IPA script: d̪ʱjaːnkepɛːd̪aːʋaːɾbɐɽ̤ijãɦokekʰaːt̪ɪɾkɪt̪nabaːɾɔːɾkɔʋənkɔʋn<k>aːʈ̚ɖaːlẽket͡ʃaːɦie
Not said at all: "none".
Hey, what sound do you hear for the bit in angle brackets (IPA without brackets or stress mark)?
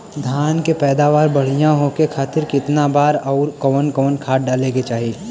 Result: kʰ